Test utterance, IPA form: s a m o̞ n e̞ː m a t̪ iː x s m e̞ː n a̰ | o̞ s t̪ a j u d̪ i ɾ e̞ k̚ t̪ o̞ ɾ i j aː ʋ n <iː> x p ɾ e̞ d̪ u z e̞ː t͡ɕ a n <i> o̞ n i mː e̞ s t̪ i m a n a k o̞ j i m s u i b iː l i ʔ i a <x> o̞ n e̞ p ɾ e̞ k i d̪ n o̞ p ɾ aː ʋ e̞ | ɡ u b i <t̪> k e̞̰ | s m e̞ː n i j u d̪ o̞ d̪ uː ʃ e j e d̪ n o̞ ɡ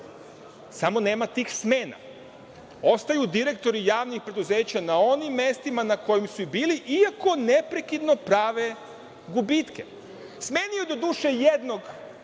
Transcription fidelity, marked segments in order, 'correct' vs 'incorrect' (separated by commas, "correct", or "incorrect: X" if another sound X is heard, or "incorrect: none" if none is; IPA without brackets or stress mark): incorrect: i, incorrect: a, incorrect: k, correct